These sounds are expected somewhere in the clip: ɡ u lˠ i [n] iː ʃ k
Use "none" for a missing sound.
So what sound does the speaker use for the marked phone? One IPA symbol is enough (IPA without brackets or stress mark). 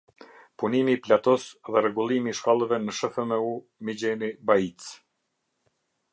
m